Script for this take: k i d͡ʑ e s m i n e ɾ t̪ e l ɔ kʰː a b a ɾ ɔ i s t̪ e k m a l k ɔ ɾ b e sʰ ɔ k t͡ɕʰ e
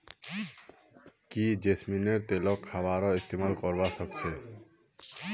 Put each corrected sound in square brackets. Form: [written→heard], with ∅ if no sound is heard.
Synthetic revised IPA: k i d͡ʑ e s m i n e ɾ t̪ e l ɔ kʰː a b a ɾ ɔ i s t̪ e [k→∅] m a l k ɔ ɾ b [e→a] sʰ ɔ k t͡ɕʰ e

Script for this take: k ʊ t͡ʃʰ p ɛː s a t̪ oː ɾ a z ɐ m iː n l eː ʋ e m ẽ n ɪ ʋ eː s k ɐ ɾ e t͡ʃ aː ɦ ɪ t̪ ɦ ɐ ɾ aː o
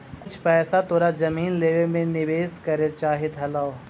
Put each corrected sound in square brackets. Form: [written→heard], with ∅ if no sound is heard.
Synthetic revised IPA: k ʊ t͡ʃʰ p ɛː s a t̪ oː ɾ a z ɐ m iː n l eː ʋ e m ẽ n ɪ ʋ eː s k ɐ ɾ e t͡ʃ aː ɦ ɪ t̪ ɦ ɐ [ɾ→l] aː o

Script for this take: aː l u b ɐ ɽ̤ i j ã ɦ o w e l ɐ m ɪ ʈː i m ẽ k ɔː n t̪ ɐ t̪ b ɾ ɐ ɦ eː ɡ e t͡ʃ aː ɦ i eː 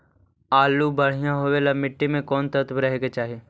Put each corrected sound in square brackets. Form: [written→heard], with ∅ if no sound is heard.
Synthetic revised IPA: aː l u b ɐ ɽ̤ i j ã ɦ o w e l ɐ m ɪ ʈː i m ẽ k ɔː n t̪ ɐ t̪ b ɾ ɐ ɦ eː ɡ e t͡ʃ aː ɦ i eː

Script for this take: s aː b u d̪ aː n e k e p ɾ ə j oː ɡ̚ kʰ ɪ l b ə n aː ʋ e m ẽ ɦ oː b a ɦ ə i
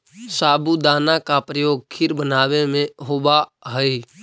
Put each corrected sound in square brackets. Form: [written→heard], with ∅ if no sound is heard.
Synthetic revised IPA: s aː b u d̪ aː n [e→a] k [e→a] p ɾ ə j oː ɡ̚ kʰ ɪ [l→ɾ] b ə n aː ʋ e m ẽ ɦ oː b a ɦ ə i

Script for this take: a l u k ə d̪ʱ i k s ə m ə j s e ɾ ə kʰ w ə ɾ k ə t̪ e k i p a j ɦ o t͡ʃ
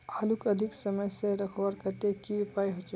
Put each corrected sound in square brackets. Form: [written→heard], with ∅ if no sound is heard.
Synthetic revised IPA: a l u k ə d̪ʱ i k s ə m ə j s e ɾ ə kʰ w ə ɾ k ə t̪ e k i p a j ɦ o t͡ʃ

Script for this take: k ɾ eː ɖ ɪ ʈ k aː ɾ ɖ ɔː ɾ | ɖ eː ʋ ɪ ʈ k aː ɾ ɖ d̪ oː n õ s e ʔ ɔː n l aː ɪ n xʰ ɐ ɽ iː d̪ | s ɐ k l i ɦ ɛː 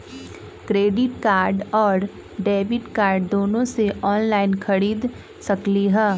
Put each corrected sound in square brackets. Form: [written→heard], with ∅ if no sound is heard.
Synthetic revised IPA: k ɾ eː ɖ ɪ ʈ k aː ɾ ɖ ɔː ɾ | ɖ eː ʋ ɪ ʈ k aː ɾ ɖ d̪ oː n õ s e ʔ ɔː n l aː ɪ n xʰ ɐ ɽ iː d̪ | s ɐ k l i ɦ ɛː

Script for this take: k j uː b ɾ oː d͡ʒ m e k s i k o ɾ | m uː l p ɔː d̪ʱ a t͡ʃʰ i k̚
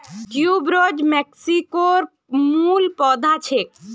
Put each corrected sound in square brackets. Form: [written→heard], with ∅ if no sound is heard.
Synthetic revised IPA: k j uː b ɾ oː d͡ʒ m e k s i k o ɾ | m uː l p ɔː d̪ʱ a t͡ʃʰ [i→e] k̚

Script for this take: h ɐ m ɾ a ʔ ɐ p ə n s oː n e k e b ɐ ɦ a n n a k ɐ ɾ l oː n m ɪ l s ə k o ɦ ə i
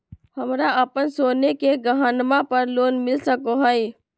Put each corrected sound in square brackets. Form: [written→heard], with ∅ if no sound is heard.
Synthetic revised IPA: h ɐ m ɾ a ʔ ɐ p ə n s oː n e k e [b→ɡ] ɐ ɦ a n [n→m] a [k→p] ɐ ɾ l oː n m ɪ l s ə k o ɦ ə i

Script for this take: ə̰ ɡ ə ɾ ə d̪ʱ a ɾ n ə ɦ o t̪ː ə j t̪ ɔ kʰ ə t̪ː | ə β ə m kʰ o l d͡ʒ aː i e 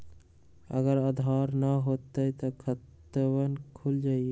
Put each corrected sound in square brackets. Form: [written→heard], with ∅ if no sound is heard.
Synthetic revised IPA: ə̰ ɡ ə ɾ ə d̪ʱ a ɾ n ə ɦ o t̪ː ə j t̪ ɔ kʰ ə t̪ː | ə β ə [m→n] kʰ [o→u] l d͡ʒ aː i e

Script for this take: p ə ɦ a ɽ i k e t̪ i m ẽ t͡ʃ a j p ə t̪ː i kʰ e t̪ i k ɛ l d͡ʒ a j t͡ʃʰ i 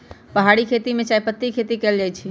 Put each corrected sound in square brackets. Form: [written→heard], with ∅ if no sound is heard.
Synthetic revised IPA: p ə ɦ a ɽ i [k→kʰ] e t̪ i m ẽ t͡ʃ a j p ə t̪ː i kʰ e t̪ i k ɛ l d͡ʒ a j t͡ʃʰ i

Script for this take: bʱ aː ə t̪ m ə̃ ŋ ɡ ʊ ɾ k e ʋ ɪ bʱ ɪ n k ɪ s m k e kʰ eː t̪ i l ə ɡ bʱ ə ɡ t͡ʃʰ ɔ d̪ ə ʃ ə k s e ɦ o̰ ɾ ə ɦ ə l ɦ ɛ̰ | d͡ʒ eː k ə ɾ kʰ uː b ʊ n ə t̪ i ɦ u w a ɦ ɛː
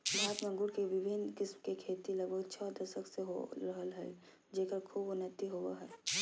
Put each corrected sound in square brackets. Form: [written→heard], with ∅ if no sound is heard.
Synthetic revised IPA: bʱ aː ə t̪ m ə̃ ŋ ɡ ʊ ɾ k e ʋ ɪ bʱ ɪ n k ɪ s m k e kʰ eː t̪ i l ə ɡ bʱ ə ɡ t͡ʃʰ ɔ d̪ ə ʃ ə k s e ɦ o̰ ɾ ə ɦ ə l ɦ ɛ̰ | d͡ʒ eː k ə ɾ kʰ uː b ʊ n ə t̪ i ɦ [u→o] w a ɦ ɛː

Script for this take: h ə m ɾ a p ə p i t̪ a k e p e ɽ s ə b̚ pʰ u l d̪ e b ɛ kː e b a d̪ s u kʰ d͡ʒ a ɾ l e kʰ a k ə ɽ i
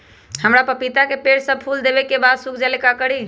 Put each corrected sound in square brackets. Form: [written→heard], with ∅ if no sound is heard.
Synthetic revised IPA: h ə m ɾ a p ə p i t̪ a k e p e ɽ s ə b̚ pʰ u l d̪ e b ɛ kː e b a d̪ s u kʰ d͡ʒ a [ɾ→∅] l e [kʰ→k] a k ə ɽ i

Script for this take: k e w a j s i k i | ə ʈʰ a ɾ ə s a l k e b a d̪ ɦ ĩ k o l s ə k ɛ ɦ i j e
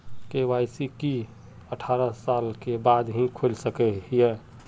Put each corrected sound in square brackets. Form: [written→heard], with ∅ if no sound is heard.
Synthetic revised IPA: k e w a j s i k i | ə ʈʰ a ɾ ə s a l k e b a d̪ ɦ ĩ [k→kʰ] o l s ə k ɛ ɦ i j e

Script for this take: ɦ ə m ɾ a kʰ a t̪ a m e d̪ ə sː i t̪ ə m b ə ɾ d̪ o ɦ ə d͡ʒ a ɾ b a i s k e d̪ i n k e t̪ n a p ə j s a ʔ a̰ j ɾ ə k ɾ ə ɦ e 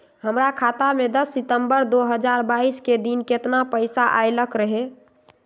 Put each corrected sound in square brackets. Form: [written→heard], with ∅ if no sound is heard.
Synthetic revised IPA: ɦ ə m ɾ a kʰ a t̪ a m e d̪ ə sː i t̪ ə m b ə ɾ d̪ o ɦ ə d͡ʒ a ɾ b a i s k e d̪ i n k e t̪ n a p ə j s a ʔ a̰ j [ɾ→l] ə k ɾ ə ɦ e

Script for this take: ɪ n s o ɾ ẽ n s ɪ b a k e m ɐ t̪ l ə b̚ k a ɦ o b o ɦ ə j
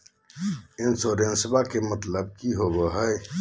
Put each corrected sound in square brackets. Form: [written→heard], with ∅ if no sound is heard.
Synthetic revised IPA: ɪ n s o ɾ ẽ n s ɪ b a k e m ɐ t̪ l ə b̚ k [a→i] ɦ o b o ɦ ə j

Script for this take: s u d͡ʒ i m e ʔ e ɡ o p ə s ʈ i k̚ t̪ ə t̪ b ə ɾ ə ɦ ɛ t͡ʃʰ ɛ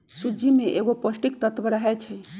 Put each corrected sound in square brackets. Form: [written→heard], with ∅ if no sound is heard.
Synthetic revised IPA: s u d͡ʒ i m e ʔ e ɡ o p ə s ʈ i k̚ t̪ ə t̪ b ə ɾ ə ɦ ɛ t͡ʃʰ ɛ

